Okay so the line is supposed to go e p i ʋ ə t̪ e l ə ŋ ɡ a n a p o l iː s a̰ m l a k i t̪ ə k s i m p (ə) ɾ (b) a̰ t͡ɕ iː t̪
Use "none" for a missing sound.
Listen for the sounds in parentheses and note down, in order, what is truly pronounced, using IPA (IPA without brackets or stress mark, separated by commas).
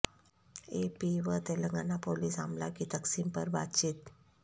ə, b